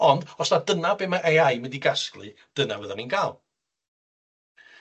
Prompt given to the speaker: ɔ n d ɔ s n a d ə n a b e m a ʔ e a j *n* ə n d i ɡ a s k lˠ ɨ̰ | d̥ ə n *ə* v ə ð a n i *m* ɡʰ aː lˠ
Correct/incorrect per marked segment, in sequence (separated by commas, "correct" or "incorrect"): incorrect, incorrect, incorrect